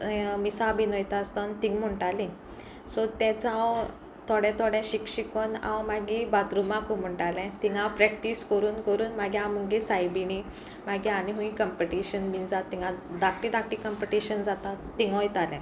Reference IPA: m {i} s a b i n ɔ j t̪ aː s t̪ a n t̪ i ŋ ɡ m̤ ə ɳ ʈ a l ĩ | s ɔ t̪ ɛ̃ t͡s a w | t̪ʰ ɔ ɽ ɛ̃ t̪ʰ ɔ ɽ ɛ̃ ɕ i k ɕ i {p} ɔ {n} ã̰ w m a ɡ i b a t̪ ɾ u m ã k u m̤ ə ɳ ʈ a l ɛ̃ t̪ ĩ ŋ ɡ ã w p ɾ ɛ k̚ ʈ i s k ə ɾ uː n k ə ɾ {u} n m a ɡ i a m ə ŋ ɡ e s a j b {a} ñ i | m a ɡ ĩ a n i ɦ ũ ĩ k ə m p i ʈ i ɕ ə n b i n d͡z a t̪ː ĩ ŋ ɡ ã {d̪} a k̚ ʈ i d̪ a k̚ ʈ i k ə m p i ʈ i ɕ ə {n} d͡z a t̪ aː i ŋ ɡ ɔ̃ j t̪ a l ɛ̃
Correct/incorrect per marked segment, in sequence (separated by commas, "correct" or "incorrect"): correct, incorrect, correct, incorrect, incorrect, correct, correct